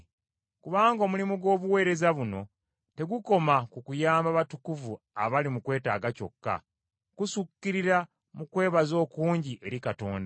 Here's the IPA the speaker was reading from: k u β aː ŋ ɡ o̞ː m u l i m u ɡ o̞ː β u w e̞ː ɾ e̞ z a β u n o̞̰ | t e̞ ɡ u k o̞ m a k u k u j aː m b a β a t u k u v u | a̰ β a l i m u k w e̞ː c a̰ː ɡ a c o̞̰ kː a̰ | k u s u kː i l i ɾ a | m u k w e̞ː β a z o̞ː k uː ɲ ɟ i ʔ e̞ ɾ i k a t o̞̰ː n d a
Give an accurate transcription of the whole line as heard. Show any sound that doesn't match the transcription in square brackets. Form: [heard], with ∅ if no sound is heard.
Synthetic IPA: k u β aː ŋ ɡ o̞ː m u l i m u ɡ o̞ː β u w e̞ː ɾ e̞ z a β u n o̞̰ | t e̞ ɡ u k o̞ m a k u k u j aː m b a β a t u k u v u | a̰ β a l i m u k w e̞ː [t] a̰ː ɡ a c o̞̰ kː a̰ | k u s u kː i [ɾ] i ɾ a | m u k w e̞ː β a z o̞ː k uː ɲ ɟ i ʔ e̞ ɾ i k a t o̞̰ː n d a